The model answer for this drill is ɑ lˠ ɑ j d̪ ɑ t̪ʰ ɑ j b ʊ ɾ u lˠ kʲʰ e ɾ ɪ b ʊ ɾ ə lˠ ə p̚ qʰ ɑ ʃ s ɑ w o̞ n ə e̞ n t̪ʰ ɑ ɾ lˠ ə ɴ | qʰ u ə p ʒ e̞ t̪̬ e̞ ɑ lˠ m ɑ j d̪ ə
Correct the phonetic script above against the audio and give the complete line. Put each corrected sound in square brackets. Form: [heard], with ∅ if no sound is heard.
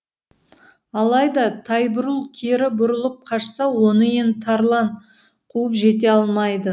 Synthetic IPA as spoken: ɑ lˠ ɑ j d̪ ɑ t̪ʰ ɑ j b ʊ ɾ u lˠ kʲʰ e ɾ ɪ b ʊ ɾ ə lˠ ə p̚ qʰ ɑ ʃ s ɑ w o̞ n ə e̞ n t̪ʰ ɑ ɾ lˠ [ɑ] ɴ | qʰ u ə p ʒ e̞ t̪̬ e̞ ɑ lˠ m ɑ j d̪ ə

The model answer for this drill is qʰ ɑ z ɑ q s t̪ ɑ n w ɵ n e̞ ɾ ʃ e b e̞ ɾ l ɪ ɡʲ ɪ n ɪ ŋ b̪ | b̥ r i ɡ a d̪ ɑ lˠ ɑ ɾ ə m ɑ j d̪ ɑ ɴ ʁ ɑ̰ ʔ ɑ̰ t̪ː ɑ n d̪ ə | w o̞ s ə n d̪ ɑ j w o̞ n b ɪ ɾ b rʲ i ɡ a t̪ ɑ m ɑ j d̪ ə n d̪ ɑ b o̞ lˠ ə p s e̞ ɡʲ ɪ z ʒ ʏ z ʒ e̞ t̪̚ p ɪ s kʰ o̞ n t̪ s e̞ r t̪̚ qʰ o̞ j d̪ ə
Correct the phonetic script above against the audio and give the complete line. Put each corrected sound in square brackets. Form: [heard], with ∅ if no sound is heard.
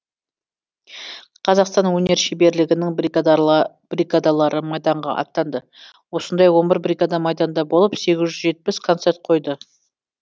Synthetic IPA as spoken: qʰ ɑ z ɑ q s t̪ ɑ n w ɵ n e̞ ɾ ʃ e b e̞ ɾ l ɪ ɡʲ ɪ n ɪ ŋ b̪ | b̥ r i ɡ a d̪ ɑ lˠ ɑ ɾ ə m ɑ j d̪ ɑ ɴ ʁ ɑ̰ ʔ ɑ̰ t̪ː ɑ n d̪ ə | w o̞ s ə n d̪ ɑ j w o̞ n b ɪ ɾ b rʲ i ɡ a [d̪] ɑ m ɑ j d̪ [ɑ] n d̪ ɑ b o̞ lˠ ə p s e̞ ɡʲ ɪ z ʒ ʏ z ʒ e̞ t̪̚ p ɪ s kʰ o̞ n t̪ s e̞ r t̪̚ qʰ o̞ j d̪ ə

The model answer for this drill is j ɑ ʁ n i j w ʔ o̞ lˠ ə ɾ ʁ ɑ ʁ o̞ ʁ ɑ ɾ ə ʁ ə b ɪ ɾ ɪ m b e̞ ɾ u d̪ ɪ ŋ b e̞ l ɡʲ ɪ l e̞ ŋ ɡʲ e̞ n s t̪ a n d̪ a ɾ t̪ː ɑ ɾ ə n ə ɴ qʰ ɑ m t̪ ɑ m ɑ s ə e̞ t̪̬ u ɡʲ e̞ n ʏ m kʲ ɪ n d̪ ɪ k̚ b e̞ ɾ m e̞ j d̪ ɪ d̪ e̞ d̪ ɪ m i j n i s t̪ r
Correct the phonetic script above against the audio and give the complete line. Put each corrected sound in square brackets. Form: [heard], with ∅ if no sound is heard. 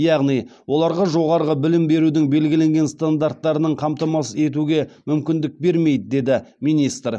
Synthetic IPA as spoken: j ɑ ʁ n i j w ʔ o̞ lˠ [ɑ] ɾ ʁ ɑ [ʒ] o̞ ʁ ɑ ɾ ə ʁ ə b ɪ [l] ɪ m b e̞ ɾ u d̪ ɪ ŋ b e̞ l ɡʲ ɪ l e̞ ŋ ɡʲ e̞ n s t̪ a n d̪ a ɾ t̪ː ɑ ɾ ə n ə ɴ qʰ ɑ m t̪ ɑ m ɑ s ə e̞ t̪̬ u ɡʲ e̞ [m] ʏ m kʲ ɪ n d̪ ɪ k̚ b e̞ ɾ m e̞ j d̪ ɪ d̪ e̞ d̪ ɪ m i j n i s t̪ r

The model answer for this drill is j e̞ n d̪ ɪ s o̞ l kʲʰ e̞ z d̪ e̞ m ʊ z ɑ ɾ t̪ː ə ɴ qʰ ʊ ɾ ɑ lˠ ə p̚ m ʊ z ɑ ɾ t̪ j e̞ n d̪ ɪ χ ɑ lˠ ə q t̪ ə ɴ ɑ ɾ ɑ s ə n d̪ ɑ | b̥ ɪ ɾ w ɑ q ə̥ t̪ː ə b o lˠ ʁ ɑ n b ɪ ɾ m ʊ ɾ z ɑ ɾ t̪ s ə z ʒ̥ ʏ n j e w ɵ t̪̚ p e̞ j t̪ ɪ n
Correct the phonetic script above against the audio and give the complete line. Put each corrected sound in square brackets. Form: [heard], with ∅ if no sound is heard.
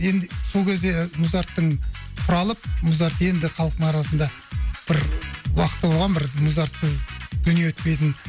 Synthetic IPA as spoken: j e̞ n d̪ ɪ s o̞ l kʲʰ e̞ z d̪ e̞ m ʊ z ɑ ɾ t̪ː ə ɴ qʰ ʊ ɾ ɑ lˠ ə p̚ m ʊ z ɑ ɾ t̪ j e̞ n d̪ ɪ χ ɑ lˠ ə q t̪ ə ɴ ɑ ɾ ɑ s ə n d̪ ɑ | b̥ ɪ ɾ w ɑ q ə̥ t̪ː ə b o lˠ ʁ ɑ n b ɪ ɾ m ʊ [∅] z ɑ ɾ t̪ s ə z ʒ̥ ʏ n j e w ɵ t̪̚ p e̞ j t̪ ɪ n

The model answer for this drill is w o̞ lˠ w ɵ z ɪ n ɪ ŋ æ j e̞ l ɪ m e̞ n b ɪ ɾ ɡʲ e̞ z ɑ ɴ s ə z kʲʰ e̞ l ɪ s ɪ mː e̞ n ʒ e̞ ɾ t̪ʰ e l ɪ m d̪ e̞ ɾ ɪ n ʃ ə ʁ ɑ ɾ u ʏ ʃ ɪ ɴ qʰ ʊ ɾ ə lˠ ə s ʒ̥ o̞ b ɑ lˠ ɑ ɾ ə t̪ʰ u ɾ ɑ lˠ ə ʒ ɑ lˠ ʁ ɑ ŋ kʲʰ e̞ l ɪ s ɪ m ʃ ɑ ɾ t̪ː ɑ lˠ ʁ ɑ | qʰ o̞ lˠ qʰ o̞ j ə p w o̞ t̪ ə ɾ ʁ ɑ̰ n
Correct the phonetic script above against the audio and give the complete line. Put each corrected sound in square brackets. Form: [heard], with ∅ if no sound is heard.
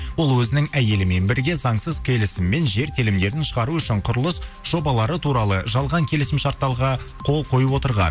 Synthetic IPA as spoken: w o̞ lˠ w ɵ z ɪ n ɪ ŋ æ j e̞ l ɪ m e̞ n b ɪ ɾ ɡʲ e̞ z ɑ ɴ s ə z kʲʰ e̞ l ɪ s ɪ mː e̞ n ʒ e̞ ɾ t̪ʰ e l ɪ m d̪ e̞ ɾ ɪ n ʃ ə ʁ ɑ ɾ u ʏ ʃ ɪ ɴ qʰ ʊ ɾ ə lˠ ə s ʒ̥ o̞ b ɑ lˠ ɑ ɾ ə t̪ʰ u ɾ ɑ lˠ ə ʒ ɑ lˠ ʁ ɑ ŋ kʲʰ e̞ l ɪ s ɪ m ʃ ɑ ɾ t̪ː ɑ lˠ ʁ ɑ | qʰ o̞ lˠ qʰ o̞ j ə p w o̞ t̪ ə ɾ ʁ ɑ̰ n

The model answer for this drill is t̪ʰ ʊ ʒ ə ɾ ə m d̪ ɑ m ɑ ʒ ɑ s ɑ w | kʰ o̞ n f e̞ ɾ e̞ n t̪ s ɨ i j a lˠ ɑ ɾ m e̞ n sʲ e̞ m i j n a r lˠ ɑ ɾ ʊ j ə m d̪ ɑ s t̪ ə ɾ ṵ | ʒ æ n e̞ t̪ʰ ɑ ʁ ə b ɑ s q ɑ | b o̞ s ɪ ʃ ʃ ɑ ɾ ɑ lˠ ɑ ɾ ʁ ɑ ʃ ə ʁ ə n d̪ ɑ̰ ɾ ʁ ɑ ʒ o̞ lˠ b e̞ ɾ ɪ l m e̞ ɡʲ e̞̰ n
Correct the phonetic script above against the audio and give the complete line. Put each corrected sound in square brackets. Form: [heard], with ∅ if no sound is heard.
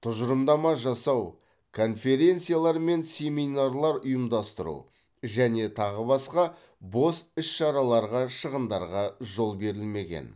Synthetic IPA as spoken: t̪ʰ ʊ ʒ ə ɾ ə m d̪ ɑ m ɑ ʒ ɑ s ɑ w | kʰ o̞ n f e̞ ɾ e̞ n t̪ s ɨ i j a lˠ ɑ ɾ m e̞ n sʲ e̞ m i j n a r lˠ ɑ ɾ ʊ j ə m d̪ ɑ s t̪ ə ɾ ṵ | ʒ æ n e̞ t̪ʰ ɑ ʁ ə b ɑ s q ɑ | b o̞ s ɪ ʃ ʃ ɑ ɾ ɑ lˠ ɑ ɾ ʁ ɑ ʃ ə ʁ ə n d̪ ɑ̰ ɾ ʁ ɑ ʒ o̞ lˠ b e̞ ɾ ɪ l m e̞ ɡʲ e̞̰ n

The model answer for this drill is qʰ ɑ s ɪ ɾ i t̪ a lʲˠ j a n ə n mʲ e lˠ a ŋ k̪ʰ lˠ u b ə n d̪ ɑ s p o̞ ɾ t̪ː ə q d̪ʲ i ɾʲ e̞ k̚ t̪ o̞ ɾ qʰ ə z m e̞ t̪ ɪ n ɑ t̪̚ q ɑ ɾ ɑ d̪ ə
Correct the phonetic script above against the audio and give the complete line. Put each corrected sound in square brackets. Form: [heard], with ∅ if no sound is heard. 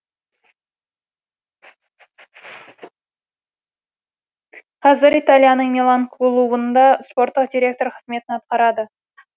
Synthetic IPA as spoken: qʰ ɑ [z] ɪ ɾ i t̪ a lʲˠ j a n ə [ɴ] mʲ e lˠ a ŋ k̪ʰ lˠ u b ə n d̪ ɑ s p o̞ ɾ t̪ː ə q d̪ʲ i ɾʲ e̞ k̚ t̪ o̞ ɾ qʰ ə z m e̞ t̪ ɪ n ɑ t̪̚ q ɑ ɾ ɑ d̪ ə

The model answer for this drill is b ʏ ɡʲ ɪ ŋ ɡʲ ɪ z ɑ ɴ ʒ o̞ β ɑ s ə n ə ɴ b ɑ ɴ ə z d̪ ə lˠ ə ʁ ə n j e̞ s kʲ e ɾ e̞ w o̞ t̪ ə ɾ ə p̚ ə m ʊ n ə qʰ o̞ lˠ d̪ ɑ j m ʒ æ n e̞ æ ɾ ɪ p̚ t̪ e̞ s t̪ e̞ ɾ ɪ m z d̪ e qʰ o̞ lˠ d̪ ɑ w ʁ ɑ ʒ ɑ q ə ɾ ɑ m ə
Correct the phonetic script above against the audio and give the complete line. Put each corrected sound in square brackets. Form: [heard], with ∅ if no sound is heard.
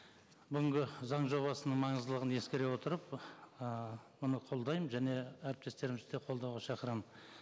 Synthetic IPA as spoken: b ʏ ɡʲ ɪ ŋ ɡʲ ɪ z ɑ ɴ ʒ o̞ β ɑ s ə n ə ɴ [m] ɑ ɴ ə z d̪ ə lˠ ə ʁ ə n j e̞ s kʲ e ɾ e̞ w o̞ t̪ ə ɾ ə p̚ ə m ʊ n ə qʰ o̞ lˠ d̪ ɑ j m ʒ æ n e̞ æ ɾ ɪ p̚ t̪ e̞ s t̪ e̞ ɾ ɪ m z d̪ e qʰ o̞ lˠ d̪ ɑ w ʁ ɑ [ʃ] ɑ q ə ɾ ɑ m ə

